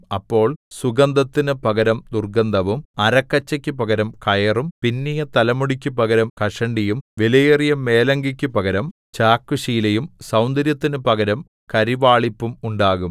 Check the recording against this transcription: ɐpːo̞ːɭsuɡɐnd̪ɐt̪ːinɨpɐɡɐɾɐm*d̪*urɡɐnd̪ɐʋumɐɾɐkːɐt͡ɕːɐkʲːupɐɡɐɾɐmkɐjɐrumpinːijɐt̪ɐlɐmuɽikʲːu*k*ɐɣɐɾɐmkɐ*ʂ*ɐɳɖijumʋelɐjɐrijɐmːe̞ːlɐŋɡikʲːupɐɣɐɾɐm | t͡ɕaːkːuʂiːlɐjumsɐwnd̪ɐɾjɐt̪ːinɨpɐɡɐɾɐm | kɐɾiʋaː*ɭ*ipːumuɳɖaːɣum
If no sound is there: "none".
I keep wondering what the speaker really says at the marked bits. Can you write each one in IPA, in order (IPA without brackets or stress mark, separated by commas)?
d̪, p, ʂ, ɭ